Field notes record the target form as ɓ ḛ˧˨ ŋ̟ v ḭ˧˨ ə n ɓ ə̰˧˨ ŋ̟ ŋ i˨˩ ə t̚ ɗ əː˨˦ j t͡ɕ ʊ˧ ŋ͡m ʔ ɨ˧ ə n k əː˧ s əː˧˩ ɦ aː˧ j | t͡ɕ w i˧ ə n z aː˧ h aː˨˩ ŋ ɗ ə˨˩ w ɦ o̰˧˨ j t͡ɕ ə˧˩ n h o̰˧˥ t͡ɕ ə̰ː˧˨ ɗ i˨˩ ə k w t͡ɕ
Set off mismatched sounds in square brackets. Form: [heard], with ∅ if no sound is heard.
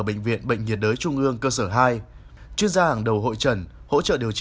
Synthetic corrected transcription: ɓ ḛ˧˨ ŋ̟ v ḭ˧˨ ə n ɓ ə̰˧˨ ŋ̟ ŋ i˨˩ ə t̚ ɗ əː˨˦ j t͡ɕ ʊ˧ ŋ͡m ʔ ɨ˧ ə [ŋ] k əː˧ s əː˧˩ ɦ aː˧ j | t͡ɕ w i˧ ə n z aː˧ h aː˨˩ ŋ ɗ ə˨˩ w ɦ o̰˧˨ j t͡ɕ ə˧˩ n h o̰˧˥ t͡ɕ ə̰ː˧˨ ɗ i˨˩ ə [∅] w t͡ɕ